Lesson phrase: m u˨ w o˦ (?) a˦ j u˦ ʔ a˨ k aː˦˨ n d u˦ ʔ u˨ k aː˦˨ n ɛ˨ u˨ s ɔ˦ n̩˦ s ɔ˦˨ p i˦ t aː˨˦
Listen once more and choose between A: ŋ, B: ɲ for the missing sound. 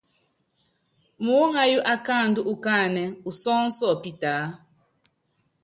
A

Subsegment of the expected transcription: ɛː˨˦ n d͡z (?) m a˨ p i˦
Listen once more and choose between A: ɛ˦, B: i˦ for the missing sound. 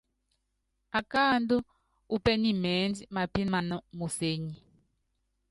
B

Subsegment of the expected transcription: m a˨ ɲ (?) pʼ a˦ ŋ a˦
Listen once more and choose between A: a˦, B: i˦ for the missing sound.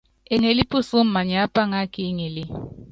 A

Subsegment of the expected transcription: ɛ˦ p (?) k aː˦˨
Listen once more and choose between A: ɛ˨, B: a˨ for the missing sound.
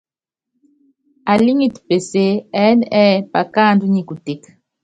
B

